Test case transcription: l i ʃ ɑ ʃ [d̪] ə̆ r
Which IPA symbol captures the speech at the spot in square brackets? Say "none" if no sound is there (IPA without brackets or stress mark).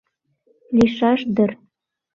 d̪